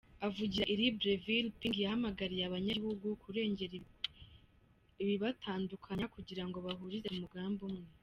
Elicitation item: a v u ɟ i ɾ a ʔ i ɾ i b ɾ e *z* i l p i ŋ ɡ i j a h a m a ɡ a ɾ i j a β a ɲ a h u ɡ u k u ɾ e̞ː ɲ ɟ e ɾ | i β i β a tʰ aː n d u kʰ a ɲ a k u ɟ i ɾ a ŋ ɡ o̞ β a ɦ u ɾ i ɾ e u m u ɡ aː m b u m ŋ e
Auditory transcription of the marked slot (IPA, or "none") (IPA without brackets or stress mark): v